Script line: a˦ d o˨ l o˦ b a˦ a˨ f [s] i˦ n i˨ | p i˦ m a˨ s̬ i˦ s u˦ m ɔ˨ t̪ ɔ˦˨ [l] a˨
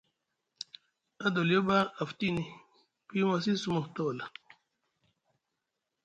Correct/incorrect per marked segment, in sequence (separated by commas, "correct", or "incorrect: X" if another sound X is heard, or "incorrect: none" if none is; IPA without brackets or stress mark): incorrect: t, correct